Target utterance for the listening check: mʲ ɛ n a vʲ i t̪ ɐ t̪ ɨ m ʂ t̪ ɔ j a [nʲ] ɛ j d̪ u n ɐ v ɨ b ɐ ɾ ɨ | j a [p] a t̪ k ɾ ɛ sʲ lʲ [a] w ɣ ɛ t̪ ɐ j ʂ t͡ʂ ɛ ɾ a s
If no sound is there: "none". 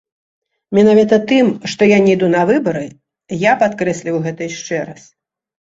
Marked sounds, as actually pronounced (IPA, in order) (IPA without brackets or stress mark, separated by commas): nʲ, p, i